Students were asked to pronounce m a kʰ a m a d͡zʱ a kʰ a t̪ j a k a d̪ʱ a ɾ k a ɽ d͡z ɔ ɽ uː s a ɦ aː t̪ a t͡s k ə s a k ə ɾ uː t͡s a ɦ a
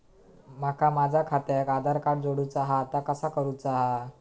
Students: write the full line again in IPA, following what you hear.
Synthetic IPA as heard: m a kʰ a m a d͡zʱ a kʰ a t̪ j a k a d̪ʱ a ɾ k a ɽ d͡z o ɽ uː t͡s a ɦ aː t̪ a k ə s a k ə ɾ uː t͡s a ɦ a